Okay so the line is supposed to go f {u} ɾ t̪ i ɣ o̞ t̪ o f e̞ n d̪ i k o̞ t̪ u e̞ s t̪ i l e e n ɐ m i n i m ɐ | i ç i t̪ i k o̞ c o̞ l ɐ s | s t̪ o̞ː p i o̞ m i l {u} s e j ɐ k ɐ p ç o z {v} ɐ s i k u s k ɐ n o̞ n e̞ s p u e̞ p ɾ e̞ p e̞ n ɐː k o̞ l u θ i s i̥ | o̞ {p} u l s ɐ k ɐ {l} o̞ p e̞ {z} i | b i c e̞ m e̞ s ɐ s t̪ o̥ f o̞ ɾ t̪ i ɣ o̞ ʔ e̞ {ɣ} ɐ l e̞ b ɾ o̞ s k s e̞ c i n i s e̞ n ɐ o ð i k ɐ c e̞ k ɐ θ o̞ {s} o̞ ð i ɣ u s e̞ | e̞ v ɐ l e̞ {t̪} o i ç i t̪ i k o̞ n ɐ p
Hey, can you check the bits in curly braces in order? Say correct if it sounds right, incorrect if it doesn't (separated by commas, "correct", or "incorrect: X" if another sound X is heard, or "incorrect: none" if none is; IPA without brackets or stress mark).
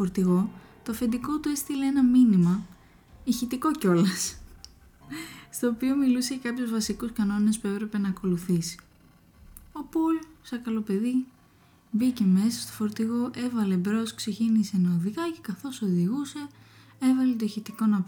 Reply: incorrect: o, correct, correct, correct, correct, incorrect: ð, incorrect: v, correct, correct